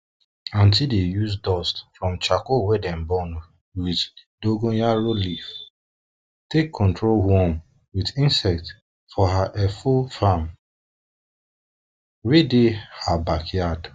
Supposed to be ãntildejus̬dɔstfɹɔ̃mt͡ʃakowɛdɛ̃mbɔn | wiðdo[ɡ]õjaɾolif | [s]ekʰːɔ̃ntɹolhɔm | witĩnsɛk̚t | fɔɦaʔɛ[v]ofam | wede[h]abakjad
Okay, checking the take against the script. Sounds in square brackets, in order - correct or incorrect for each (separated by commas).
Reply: correct, incorrect, incorrect, correct